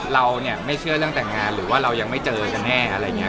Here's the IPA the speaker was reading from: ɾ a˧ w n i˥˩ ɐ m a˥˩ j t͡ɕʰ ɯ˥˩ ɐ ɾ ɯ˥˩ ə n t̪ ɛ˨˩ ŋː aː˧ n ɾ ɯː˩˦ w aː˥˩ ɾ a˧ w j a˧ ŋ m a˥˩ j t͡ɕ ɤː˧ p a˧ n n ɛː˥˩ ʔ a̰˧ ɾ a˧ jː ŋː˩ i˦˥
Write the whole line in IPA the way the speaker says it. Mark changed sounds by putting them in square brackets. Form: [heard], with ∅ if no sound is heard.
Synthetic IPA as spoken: ɾ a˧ w n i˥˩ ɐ m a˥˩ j t͡ɕʰ ɯ˥˩ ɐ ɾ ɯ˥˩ ə [ŋ] t̪ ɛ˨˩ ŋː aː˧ n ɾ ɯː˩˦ w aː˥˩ ɾ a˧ w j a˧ ŋ m a˥˩ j t͡ɕ ɤː˧ [k] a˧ n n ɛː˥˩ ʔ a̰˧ ɾ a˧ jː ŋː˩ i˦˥